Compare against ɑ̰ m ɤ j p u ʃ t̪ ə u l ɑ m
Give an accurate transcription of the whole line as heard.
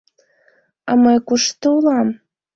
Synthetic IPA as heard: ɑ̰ m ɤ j k u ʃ t̪ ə u l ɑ m